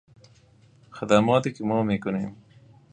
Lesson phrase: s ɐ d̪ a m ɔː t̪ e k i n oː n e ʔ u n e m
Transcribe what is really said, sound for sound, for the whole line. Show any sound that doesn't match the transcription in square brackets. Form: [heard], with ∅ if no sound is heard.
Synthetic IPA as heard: [x] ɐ d̪ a m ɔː t̪ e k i [m] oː [m] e [k] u n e m